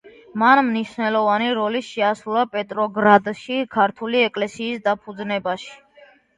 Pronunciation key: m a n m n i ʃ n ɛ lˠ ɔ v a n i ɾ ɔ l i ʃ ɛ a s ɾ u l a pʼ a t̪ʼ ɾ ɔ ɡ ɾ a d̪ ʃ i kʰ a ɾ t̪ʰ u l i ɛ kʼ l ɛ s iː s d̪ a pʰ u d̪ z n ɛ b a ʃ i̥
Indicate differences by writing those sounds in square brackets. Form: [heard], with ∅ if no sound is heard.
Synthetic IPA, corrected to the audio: m a n m n i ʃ n ɛ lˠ ɔ v a n i ɾ ɔ l i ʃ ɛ a s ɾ u l a pʼ [ɛ] t̪ʼ ɾ ɔ ɡ ɾ a d̪ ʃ i kʰ a ɾ t̪ʰ u l i ɛ kʼ l ɛ s iː s d̪ a pʰ u d̪ z n ɛ b a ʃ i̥